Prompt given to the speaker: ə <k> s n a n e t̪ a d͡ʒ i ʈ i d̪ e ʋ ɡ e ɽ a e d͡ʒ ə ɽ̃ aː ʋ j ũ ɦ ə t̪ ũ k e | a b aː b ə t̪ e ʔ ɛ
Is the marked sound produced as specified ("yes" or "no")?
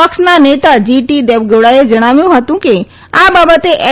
yes